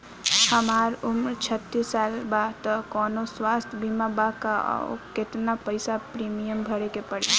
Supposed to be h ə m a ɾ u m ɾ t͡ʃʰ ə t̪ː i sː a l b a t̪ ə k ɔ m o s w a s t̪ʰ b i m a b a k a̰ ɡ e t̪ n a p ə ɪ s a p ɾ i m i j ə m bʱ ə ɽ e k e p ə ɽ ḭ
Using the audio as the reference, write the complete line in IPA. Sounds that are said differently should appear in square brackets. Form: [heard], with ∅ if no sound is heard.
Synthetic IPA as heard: h ə m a ɾ u m ɾ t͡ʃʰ ə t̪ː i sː a l b a t̪ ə k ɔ [n] o s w a s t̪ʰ b i m a b a k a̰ [k] e t̪ n a p ə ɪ s a p ɾ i m i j ə m bʱ ə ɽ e k e p ə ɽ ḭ